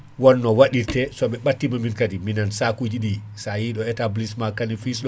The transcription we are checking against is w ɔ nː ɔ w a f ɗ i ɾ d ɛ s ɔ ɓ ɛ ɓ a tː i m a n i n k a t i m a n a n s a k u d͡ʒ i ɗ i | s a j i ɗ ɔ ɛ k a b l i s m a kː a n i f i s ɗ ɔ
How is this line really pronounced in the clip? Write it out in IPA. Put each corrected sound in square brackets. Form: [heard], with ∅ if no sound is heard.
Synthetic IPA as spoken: w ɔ nː ɔ w a [∅] ɗ i ɾ [t] ɛ s ɔ ɓ ɛ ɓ a tː i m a [m] i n k a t i m [i] n a n s a k u d͡ʒ i ɗ i | s a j i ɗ ɔ ɛ [t] a b l i s m a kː a n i f i s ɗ ɔ